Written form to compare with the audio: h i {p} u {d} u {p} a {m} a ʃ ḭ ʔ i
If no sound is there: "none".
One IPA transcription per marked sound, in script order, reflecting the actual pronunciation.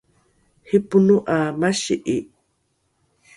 p, n, ʔ, m

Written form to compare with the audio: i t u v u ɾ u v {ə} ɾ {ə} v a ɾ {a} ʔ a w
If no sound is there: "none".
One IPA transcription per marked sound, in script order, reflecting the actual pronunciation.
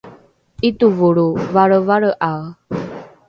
a, ə, ə

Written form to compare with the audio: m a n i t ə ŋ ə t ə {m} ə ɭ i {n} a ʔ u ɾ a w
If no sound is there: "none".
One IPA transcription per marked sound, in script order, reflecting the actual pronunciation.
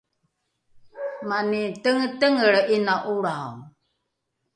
ŋ, n

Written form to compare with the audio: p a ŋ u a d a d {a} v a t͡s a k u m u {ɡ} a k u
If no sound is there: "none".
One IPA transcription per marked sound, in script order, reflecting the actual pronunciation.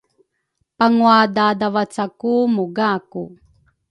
a, ɡ

